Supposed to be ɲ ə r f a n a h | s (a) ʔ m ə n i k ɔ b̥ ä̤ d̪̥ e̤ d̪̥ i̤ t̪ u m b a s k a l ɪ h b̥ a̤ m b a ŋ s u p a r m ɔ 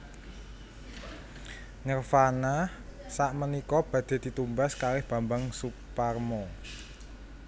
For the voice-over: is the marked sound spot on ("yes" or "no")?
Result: yes